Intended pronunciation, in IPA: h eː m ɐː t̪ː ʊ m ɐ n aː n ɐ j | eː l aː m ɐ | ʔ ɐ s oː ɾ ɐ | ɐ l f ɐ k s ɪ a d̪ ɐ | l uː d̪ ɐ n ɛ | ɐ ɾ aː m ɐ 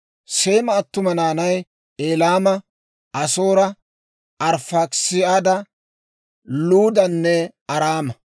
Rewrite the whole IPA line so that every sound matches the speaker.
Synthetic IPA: s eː m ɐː t̪ː ʊ m ɐ n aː n ɐ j | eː l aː m ɐ | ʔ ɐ s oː ɾ ɐ | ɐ ɾ f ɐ k s ɪ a d̪ ɐ | l uː d̪ ɐ nː ɛ | ɐ ɾ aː m ɐ